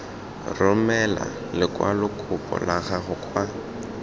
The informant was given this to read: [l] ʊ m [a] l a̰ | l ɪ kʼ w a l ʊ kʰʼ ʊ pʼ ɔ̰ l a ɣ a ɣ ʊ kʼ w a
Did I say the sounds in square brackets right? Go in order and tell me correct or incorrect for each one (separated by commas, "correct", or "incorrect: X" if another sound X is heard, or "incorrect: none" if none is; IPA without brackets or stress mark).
incorrect: r, incorrect: ɛ